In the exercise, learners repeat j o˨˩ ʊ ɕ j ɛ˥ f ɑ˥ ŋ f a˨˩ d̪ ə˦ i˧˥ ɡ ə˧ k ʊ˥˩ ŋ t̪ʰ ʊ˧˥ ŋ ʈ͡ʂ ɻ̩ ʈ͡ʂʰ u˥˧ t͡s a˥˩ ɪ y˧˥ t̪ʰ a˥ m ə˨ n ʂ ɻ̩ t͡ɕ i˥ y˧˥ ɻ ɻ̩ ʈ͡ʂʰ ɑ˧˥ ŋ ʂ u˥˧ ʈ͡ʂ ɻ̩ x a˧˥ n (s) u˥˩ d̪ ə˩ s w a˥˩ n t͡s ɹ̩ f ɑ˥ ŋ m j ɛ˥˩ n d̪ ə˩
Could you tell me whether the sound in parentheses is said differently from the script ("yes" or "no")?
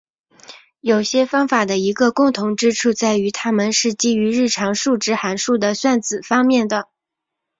yes